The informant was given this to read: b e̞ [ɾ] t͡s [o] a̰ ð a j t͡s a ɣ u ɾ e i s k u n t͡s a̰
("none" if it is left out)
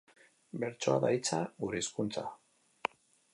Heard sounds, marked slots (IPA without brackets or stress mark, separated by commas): ɾ, o